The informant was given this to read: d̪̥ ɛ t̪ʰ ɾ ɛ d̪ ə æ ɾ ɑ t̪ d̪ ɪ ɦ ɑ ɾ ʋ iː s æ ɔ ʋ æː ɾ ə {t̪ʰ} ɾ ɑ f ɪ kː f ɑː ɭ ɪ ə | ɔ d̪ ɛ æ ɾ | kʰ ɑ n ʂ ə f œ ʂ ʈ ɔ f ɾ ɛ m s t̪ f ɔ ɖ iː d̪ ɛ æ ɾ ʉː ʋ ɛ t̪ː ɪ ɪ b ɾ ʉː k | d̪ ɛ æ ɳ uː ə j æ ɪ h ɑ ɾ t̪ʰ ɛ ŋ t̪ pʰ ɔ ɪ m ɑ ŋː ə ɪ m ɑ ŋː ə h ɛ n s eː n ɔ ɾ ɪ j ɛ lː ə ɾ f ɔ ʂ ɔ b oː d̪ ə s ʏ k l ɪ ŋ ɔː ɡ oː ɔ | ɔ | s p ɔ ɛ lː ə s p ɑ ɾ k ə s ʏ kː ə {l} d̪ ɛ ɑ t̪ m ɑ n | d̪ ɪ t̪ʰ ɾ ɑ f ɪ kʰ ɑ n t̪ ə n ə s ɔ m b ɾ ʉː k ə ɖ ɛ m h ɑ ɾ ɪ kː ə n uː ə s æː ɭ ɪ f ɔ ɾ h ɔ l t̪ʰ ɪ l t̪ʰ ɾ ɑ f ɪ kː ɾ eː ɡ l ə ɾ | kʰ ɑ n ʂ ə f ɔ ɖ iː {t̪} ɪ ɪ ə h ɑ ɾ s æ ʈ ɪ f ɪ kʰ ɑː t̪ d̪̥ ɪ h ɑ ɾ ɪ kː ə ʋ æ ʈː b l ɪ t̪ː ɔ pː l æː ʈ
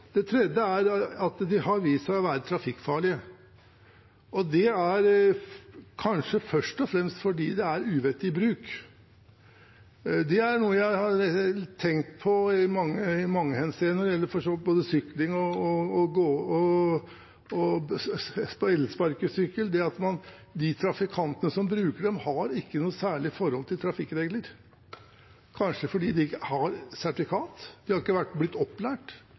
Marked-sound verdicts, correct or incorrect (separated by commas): correct, correct, incorrect